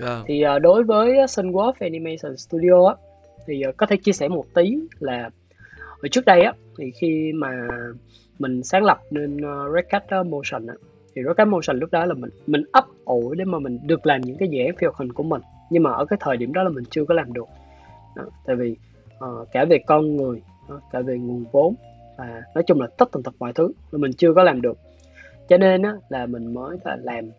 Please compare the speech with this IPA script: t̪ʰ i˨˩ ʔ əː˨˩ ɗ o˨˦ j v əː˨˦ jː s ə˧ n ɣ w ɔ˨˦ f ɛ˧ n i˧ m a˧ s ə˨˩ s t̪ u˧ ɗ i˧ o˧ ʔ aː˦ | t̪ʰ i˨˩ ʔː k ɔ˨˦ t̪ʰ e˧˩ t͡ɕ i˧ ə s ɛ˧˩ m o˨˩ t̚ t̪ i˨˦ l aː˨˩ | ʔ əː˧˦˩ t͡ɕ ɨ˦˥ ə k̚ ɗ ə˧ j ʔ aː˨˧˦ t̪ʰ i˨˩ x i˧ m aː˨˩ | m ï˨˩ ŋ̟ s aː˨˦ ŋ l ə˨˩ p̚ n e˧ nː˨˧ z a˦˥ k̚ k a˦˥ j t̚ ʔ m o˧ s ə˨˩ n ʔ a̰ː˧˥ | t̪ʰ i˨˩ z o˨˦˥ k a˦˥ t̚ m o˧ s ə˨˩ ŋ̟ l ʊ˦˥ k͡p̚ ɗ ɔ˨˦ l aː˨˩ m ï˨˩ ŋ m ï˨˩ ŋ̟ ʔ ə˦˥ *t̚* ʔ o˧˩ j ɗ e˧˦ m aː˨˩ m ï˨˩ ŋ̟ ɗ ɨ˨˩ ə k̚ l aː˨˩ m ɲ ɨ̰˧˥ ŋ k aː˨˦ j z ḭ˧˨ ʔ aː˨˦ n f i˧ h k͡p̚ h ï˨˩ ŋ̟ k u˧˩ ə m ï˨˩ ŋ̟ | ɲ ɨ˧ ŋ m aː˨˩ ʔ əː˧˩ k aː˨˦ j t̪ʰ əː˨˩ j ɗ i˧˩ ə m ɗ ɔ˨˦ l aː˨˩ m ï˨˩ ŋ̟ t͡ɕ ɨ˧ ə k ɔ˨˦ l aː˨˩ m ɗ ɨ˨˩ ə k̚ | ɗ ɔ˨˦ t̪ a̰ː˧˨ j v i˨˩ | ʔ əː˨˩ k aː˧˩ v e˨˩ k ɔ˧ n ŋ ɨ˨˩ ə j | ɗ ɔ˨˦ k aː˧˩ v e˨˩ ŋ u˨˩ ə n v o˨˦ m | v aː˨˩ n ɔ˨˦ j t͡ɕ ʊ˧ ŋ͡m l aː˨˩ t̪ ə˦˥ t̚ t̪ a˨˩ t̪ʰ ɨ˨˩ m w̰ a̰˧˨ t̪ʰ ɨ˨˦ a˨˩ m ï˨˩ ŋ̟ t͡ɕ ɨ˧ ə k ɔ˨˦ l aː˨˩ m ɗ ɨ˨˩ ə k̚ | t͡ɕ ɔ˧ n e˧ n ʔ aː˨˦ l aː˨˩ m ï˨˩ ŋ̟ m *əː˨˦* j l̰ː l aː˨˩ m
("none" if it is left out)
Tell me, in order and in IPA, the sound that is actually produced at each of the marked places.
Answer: p̚, əː˨˦

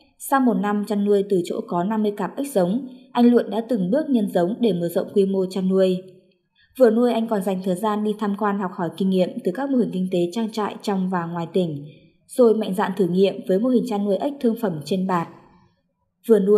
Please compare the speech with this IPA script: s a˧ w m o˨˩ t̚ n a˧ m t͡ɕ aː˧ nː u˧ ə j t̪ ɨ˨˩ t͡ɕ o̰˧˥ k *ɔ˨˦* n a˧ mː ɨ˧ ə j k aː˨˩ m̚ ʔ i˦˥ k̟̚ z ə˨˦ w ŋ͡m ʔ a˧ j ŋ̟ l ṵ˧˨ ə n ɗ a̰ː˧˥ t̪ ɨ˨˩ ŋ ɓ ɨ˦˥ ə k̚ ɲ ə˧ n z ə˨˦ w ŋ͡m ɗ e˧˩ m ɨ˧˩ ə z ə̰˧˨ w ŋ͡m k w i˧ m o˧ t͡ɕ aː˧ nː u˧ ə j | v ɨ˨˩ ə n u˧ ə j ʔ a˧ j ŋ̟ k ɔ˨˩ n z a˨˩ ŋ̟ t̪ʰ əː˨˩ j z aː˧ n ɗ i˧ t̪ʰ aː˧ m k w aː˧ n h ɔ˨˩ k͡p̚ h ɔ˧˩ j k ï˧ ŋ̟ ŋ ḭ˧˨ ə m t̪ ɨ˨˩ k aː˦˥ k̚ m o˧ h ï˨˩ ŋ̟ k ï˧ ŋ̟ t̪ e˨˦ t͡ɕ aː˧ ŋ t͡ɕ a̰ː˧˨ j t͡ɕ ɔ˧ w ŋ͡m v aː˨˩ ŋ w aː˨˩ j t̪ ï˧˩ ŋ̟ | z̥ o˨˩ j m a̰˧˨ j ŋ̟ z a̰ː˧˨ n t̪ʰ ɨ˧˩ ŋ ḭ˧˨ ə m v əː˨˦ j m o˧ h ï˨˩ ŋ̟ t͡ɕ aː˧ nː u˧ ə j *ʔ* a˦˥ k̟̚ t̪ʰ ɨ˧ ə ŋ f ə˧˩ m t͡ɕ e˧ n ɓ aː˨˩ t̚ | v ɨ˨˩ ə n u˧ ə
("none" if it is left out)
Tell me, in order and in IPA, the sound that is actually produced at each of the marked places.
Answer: ɔ˨˦, ʔ

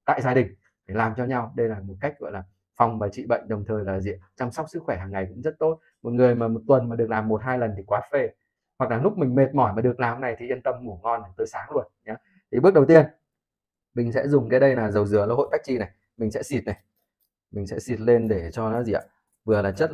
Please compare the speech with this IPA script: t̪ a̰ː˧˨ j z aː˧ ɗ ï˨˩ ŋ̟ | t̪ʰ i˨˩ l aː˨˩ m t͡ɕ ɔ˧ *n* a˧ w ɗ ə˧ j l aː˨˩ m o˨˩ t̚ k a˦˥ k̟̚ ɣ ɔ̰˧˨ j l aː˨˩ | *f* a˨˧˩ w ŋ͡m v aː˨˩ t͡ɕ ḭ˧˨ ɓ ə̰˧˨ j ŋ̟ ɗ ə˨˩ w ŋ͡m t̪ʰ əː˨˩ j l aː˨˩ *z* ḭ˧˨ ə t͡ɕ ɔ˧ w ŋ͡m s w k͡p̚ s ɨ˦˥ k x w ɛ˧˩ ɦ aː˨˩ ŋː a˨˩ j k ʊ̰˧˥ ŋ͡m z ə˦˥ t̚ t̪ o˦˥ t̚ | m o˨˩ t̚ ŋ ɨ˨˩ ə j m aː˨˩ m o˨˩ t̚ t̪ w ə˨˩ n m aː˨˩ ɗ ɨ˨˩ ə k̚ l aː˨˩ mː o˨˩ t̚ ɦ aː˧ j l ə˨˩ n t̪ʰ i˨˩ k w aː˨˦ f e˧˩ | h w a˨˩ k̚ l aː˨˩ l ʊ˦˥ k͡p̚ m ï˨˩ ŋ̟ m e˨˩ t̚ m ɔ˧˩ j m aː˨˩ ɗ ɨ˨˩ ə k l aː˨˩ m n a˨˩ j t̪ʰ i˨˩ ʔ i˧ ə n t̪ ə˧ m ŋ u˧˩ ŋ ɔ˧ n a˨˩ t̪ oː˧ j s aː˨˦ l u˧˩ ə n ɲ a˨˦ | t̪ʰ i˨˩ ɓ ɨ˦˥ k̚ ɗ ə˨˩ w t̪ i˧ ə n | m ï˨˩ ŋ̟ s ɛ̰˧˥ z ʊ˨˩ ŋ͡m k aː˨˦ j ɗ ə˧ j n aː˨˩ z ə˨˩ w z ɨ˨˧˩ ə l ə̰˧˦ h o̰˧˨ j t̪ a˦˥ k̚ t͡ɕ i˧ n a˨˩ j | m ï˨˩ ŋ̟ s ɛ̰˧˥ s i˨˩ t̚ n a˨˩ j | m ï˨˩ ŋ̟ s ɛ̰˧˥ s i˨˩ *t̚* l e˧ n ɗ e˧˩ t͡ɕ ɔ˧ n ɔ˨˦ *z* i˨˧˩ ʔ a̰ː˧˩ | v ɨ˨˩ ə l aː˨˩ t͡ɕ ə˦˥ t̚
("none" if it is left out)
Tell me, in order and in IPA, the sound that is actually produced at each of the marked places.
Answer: ɲ, f, z, t̚, z

